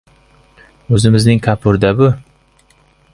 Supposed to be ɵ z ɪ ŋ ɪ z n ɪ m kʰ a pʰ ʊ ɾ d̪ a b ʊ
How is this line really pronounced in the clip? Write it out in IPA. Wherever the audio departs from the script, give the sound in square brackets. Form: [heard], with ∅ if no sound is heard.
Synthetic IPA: ɵ z ɪ [m] ɪ z n ɪ [ŋ] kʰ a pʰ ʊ ɾ d̪ a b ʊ